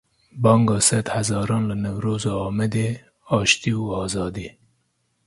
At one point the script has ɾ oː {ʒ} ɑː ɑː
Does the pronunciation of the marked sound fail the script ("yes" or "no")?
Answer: yes